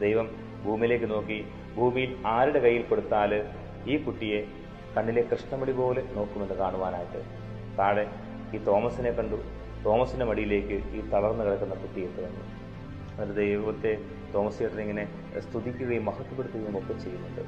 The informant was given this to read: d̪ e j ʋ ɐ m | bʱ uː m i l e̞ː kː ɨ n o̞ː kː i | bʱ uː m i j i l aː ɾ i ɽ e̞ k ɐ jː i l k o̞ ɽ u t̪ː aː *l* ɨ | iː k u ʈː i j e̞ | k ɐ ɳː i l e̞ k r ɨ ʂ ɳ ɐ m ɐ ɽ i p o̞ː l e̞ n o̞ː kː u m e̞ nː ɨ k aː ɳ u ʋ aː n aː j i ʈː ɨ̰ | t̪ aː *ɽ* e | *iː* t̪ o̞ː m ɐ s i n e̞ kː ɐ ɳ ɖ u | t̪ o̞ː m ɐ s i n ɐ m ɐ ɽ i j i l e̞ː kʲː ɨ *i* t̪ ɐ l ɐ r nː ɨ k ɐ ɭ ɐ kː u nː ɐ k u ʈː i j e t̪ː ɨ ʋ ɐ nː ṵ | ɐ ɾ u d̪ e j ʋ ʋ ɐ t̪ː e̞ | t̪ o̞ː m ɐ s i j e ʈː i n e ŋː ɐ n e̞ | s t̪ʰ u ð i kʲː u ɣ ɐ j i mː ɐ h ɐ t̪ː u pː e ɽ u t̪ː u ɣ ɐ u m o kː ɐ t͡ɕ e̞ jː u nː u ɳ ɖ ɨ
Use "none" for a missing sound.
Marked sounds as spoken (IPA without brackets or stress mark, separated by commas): l, ɽ, iː, iː